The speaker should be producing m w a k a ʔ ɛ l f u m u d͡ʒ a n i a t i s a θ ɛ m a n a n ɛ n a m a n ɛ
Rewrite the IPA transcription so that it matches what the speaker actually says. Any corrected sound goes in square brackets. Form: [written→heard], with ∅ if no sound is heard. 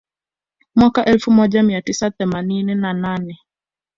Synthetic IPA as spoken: m w a k a ʔ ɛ l f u m [u→ɔ] d͡ʒ a [n→m] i a t i s a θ ɛ m a n [a→i] n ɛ n a [m→n] a n ɛ